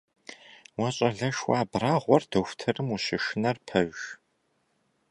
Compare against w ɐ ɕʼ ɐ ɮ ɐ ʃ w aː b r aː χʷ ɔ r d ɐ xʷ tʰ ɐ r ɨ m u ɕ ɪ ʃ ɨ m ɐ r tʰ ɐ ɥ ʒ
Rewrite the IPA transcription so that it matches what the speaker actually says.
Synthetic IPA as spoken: w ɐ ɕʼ ɐ ɮ ɐ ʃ w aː b r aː ʁʷ ɔ r d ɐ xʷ tʰ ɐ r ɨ m u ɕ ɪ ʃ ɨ n ɐ r pʰ ɐ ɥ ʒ

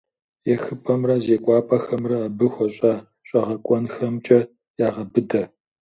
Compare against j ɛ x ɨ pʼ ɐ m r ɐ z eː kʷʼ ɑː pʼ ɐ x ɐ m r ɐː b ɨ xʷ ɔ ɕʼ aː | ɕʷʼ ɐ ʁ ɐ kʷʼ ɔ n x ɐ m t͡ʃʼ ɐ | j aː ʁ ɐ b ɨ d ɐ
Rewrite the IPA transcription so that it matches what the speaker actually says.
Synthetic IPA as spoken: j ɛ x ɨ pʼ ɐ m r ɐ z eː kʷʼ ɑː pʼ ɐ x ɐ m r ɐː b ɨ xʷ ɔ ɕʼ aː | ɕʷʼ ɐ ʁ ɐ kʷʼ ɔ n x ɐ m t͡ʃʼ ɐ | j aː ʁ ɐ b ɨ d ɐ

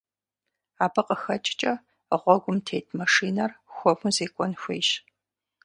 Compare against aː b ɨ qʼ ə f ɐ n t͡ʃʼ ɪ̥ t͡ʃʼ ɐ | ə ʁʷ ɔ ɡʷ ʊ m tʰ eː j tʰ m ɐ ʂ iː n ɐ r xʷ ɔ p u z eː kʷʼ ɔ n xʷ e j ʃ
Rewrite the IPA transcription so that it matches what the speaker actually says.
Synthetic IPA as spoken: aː b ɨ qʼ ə x ɐ t͡ʃʼ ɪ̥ t͡ʃʼ ɐ | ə ʁʷ ɔ ɡʷ ʊ m tʰ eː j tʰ m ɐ ʂ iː n ɐ r xʷ ɔ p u z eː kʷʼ ɔ n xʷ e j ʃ

